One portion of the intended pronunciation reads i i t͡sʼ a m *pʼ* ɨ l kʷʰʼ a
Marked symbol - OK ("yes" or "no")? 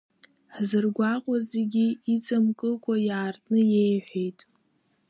no